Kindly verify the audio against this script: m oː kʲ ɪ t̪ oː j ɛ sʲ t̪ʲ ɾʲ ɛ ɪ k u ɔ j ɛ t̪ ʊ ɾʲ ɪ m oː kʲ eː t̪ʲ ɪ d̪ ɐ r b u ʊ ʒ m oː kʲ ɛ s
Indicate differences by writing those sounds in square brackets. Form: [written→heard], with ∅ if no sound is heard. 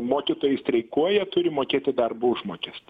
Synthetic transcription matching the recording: m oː kʲ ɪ t̪ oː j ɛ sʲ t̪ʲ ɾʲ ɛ ɪ k u ɔ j ɛ t̪ ʊ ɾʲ ɪ m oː kʲ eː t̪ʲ ɪ d̪ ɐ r b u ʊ ʒ m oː kʲ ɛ s